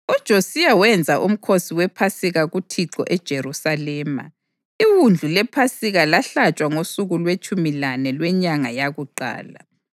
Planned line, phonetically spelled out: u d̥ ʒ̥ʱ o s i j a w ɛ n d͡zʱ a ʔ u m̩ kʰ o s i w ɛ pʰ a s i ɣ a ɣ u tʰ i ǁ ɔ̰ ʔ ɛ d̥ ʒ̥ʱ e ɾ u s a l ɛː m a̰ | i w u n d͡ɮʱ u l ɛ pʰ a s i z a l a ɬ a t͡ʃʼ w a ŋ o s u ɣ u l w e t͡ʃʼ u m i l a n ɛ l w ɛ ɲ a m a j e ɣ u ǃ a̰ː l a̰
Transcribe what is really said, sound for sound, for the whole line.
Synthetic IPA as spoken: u d̥ ʒ̥ʱ o s i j a w ɛ n d͡zʱ a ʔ u m̩ kʰ o s i w ɛ pʰ a s i ɣ a ɣ u tʰ i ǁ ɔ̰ ʔ ɛ d̥ ʒ̥ʱ e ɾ u s a l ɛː m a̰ | i w u n d͡ɮʱ u l ɛ pʰ a s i ɣ a l a ɬ a t͡ʃʼ w a ŋ o s u ɣ u l w e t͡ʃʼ u m i l a n ɛ l w ɛ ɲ a ŋ a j a ɣ u ǃ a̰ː l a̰

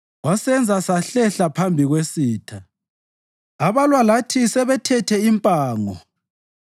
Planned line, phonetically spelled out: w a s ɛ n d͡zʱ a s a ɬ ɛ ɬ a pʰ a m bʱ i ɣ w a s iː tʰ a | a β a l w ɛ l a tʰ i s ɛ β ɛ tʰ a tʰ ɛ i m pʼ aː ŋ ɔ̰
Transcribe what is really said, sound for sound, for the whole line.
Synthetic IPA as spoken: w a s ɛ n d͡zʱ a s a ɬ ɛ ɬ a pʰ a m bʱ i ɣ w e s iː tʰ a | a β a l w a l a tʰ i s ɛ β ɛ tʰ ɛ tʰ ɛ i m pʼ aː ŋ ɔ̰

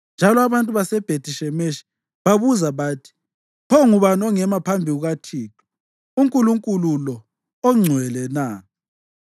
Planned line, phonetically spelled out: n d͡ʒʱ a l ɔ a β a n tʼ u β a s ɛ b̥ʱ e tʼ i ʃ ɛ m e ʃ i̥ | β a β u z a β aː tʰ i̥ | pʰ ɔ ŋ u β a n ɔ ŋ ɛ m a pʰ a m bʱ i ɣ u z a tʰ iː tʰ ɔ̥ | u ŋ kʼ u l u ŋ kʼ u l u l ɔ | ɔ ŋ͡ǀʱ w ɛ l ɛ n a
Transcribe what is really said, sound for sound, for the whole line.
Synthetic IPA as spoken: n d͡ʒʱ a l ɔ a β a n tʼ u β a s ɛ b̥ʱ e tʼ i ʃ ɛ m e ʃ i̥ | β a β u z a β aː tʰ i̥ | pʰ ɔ ŋ u β a n ɔ ŋ ɛ m a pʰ a m bʱ i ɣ u ɣ a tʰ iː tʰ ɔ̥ | u ŋ kʼ u l u ŋ kʼ u l u l ɔ | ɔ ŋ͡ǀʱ w ɛ l ɛ n a

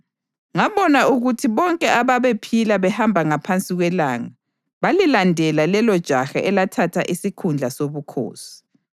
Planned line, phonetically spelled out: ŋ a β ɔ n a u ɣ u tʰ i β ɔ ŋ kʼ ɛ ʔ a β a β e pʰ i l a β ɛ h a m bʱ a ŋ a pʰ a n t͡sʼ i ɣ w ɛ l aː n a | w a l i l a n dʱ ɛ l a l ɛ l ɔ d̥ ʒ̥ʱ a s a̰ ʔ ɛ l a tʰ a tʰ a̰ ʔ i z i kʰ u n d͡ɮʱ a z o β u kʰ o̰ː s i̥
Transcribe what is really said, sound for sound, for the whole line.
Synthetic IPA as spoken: ŋ a β ɔ n a u ɣ u tʰ i β ɔ ŋ kʼ ɛ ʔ a β a β e pʰ i l a β ɛ h a m bʱ a ŋ a pʰ a n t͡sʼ i ɣ w ɛ l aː ŋ a | β a l i l a n dʱ ɛ l a l ɛ l ɔ d̥ ʒ̥ʱ a x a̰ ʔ ɛ l a tʰ a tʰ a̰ ʔ i s i kʰ u n d͡ɮʱ a s o β u kʰ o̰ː s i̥

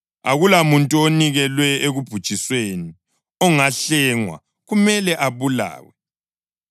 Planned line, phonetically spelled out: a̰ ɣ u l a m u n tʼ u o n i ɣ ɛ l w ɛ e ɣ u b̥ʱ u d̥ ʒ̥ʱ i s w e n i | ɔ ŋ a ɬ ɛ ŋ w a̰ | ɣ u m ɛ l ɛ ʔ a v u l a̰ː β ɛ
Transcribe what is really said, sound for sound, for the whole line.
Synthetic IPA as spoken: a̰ ɣ u l a m u n tʼ u o n i ɣ ɛ l w ɛ e ɣ u b̥ʱ u d̥ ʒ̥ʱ i s w e n i | ɔ ŋ a ɬ ɛ ŋ w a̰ | ɣ u m ɛ l ɛ ʔ a β u l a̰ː w ɛ

